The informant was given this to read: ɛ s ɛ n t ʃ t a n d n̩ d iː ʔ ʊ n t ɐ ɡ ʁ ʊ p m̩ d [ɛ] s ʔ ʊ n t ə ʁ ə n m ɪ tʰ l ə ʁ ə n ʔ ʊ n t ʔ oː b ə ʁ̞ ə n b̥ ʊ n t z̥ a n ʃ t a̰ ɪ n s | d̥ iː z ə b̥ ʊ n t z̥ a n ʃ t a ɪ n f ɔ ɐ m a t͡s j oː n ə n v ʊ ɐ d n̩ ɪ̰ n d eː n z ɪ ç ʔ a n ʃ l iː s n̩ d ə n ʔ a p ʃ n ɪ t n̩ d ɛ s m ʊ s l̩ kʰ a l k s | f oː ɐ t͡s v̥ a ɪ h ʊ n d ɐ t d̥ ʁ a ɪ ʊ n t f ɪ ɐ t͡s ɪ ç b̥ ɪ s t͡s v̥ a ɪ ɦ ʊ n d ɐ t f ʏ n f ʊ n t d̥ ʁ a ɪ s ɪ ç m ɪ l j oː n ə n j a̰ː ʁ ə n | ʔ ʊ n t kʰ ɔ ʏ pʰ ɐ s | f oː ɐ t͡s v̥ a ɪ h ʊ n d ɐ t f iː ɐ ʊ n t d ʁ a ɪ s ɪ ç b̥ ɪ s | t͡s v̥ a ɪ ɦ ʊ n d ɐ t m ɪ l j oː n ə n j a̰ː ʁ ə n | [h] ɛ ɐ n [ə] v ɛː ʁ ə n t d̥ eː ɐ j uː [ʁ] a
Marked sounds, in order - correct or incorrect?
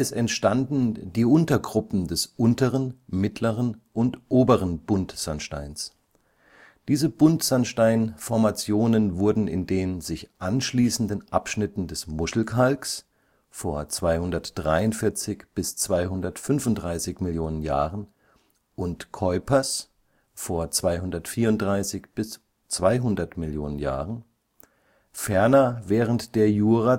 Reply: correct, incorrect: f, incorrect: ɐ, correct

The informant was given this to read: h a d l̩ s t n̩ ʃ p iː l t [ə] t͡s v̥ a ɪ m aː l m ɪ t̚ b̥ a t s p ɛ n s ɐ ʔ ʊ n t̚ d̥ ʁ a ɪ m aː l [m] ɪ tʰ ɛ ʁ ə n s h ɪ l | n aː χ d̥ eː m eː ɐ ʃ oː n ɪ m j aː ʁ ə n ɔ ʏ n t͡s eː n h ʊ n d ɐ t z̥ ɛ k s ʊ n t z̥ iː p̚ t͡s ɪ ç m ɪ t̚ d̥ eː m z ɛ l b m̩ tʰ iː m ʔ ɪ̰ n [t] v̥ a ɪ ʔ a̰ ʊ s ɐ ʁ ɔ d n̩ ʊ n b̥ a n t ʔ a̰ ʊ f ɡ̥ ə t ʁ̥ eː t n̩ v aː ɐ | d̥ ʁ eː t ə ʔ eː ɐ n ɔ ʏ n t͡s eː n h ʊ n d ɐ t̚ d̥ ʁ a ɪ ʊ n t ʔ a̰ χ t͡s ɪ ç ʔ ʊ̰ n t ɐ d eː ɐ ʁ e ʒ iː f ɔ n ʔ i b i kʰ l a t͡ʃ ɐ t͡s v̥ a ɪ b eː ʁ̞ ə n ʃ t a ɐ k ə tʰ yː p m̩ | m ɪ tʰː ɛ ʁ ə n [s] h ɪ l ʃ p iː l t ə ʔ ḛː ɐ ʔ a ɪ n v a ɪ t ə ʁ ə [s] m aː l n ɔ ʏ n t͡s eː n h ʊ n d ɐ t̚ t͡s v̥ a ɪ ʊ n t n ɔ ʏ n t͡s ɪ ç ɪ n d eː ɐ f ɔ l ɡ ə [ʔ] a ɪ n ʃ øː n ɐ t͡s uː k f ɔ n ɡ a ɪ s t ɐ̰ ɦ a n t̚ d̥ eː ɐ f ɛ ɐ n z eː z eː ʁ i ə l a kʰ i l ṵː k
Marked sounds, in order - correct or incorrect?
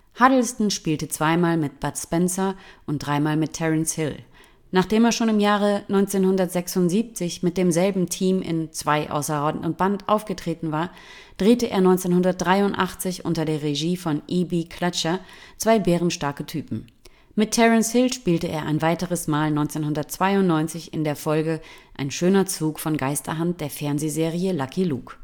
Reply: correct, correct, incorrect: t͡s, correct, correct, correct

